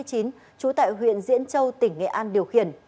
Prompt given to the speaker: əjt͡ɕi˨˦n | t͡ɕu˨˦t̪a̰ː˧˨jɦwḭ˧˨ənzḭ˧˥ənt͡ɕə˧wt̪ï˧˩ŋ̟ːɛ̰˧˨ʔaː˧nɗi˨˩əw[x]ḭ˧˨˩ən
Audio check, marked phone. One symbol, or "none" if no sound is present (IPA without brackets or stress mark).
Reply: x